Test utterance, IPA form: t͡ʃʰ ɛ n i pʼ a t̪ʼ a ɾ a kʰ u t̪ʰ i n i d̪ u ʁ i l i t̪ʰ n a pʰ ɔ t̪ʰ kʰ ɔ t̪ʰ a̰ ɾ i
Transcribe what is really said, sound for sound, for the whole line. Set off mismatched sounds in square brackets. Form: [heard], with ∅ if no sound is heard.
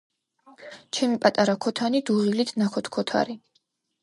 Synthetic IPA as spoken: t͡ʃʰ ɛ [m] i pʼ a t̪ʼ a ɾ a kʰ [ɔ] t̪ʰ [a] n i d̪ u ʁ i l i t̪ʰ n a [kʰ] ɔ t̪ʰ kʰ ɔ t̪ʰ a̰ ɾ i